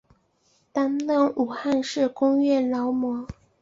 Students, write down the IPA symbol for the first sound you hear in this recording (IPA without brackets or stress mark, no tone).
t̪